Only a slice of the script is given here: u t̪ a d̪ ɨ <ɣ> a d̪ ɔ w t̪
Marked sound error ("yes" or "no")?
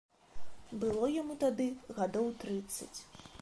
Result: no